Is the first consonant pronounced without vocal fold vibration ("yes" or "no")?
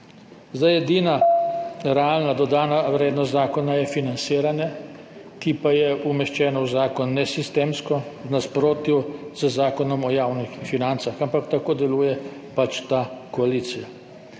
no